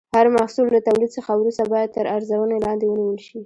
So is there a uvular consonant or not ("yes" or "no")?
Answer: no